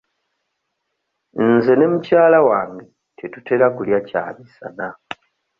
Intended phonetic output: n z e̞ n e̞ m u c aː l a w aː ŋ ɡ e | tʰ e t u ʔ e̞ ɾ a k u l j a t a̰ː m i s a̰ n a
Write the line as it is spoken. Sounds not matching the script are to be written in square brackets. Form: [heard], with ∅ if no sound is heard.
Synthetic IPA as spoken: n z e̞ n e̞ m u c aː l a w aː ŋ ɡ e | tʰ e t u [t] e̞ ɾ a k u l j a [c] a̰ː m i s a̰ n a